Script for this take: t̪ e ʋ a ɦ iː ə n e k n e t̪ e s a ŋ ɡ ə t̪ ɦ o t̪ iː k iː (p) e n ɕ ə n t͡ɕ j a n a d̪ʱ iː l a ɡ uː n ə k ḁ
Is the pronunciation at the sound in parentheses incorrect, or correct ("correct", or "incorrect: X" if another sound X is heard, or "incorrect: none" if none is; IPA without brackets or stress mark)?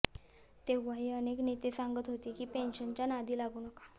correct